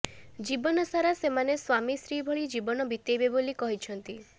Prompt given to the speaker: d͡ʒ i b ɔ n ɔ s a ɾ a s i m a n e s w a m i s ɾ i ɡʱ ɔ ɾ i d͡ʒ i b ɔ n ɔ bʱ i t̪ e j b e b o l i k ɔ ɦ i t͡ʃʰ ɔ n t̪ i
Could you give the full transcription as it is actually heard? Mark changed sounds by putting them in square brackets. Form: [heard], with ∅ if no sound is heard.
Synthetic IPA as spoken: d͡ʒ i b ɔ n ɔ s a ɾ a s [e] m a n e s w a m i s ɾ i [bʱ] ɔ [ɭ] i d͡ʒ i b ɔ n ɔ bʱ i t̪ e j b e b o l i k ɔ ɦ i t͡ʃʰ ɔ n t̪ i